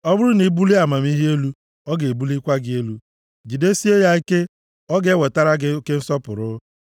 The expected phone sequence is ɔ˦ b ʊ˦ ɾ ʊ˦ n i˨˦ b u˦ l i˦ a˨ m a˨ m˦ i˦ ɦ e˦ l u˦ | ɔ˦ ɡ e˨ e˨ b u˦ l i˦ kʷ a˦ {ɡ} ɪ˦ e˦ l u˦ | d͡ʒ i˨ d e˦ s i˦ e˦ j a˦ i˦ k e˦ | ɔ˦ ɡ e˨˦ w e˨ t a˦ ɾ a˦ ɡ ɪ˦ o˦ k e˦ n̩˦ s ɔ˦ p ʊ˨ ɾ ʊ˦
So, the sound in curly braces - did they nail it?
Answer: yes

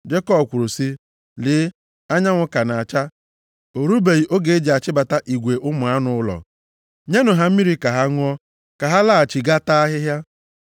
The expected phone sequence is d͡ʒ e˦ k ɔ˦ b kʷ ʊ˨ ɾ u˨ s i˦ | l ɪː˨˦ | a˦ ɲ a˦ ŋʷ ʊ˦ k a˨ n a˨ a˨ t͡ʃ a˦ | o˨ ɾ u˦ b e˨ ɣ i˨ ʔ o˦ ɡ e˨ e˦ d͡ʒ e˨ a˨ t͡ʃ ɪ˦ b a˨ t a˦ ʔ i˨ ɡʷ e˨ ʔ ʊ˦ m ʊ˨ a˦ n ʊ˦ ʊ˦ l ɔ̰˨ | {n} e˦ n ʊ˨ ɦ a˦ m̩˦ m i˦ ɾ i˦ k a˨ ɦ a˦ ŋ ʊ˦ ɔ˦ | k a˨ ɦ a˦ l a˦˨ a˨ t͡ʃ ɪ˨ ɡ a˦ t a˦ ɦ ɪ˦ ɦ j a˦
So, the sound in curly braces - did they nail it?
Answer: no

